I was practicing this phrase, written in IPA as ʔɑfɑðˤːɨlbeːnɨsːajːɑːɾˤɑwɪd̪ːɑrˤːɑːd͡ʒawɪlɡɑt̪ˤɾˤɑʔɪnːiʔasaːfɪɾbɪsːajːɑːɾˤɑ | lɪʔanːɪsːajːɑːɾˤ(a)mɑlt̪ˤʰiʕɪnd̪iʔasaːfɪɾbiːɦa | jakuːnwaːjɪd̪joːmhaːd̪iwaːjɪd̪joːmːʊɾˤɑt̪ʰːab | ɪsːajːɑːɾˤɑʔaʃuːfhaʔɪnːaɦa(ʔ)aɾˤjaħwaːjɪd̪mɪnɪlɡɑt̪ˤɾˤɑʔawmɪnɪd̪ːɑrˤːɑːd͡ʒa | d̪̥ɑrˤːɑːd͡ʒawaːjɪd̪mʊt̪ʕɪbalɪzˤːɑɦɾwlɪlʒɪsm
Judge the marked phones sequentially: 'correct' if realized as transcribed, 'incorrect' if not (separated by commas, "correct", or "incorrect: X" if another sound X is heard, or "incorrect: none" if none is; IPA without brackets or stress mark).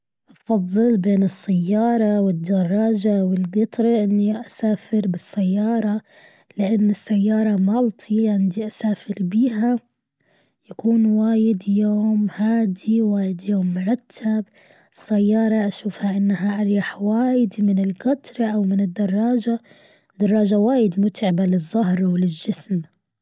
incorrect: ɑ, correct